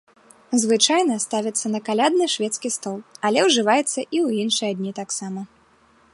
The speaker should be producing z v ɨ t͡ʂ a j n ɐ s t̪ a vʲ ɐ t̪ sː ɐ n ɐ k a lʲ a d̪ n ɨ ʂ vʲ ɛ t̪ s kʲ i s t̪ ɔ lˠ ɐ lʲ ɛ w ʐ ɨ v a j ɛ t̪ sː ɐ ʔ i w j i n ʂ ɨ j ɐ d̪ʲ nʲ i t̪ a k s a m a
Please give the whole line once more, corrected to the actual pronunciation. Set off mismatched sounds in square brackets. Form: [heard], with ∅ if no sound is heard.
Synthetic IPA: z v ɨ t͡ʂ a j n ɐ s t̪ a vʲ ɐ t̪ sː ɐ n ɐ k a lʲ a d̪ n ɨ ʂ vʲ ɛ t̪ s kʲ i s t̪ ɔ lˠ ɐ lʲ ɛ w ʐ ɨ v a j ɛ t̪ sː ɐ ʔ i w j i n ʂ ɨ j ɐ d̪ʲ nʲ i t̪ a k s a m [ɐ]